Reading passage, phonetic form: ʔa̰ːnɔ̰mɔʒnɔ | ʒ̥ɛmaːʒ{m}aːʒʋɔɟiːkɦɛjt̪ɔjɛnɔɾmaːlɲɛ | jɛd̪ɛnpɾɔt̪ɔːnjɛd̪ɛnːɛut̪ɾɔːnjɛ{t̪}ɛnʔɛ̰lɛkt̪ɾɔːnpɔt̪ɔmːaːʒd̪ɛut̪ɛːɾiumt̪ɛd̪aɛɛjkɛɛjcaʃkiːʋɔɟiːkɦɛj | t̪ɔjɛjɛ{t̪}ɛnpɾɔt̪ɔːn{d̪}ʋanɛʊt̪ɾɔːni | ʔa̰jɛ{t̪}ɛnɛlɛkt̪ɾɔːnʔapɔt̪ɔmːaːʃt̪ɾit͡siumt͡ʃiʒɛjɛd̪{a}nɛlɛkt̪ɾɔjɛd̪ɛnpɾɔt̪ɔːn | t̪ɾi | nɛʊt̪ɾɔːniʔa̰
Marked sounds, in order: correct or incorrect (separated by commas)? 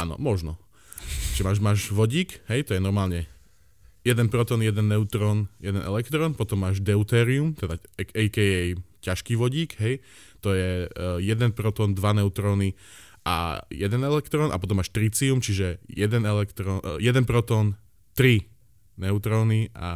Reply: correct, incorrect, incorrect, correct, incorrect, incorrect